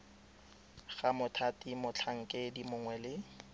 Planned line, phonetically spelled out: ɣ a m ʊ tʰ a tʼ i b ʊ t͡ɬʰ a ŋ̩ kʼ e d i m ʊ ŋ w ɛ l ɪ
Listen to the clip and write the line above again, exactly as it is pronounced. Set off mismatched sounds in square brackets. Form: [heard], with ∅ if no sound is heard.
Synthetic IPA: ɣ a m ʊ tʰ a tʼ i [m] ʊ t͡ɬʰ a ŋ̩ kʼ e d i m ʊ ŋ w ɛ l ɪ